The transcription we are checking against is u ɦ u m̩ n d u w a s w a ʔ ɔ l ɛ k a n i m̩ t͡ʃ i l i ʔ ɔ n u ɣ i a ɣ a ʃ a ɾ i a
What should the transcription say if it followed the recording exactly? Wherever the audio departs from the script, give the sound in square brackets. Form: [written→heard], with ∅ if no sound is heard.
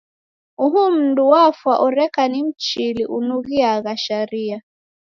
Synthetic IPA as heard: u ɦ u m̩ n d u w a [s→f] w a ʔ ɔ [l→ɾ] ɛ k a n i m̩ t͡ʃ i l i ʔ [ɔ→u] n u ɣ i a ɣ a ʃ a ɾ i a